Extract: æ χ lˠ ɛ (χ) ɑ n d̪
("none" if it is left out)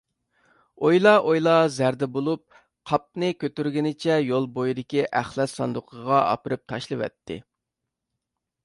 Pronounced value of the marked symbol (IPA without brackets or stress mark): s